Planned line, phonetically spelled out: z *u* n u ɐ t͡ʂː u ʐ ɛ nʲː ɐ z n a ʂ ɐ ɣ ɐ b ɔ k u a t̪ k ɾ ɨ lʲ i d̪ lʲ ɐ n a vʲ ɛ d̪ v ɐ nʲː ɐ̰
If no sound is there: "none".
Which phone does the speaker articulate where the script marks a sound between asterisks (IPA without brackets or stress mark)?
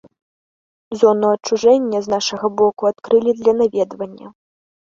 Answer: ɔ